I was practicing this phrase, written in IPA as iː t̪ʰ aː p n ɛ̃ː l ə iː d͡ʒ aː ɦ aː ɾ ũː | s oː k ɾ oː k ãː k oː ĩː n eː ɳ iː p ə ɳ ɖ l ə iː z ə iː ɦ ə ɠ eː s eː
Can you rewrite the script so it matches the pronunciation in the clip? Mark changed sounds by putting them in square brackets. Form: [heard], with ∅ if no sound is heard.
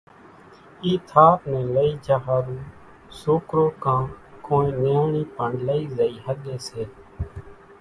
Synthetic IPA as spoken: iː t̪ʰ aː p n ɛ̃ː l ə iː d͡ʒ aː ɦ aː ɾ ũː | s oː k ɾ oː k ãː k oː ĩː n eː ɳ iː p ə ɳ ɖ l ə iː z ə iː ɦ ə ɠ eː s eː